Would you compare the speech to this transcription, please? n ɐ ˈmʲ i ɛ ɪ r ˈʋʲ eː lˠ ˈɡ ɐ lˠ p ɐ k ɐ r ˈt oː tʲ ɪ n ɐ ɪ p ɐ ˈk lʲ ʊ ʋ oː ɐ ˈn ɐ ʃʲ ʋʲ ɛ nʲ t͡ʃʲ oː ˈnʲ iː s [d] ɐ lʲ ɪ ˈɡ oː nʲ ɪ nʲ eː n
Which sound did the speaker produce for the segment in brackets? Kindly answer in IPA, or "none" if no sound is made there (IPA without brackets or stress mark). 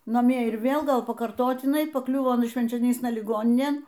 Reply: n